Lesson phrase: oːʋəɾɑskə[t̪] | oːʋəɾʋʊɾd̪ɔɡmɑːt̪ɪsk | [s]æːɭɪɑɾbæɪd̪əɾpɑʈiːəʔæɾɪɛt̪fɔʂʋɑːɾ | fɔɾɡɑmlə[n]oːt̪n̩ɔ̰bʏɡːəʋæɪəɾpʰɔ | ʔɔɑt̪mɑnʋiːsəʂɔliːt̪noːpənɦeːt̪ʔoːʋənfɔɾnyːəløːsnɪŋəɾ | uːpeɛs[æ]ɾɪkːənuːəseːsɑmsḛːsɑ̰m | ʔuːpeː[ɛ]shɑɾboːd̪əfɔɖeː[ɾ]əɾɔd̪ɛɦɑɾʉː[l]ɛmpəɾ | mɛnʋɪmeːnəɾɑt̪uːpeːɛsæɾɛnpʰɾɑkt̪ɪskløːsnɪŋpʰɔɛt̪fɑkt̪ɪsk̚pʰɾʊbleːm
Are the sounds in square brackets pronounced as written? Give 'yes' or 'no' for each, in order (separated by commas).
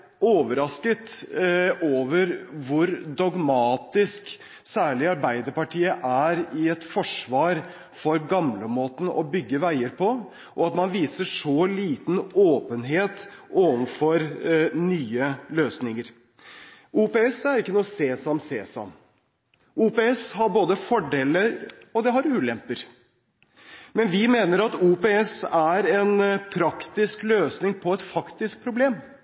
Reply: yes, yes, no, yes, yes, no, yes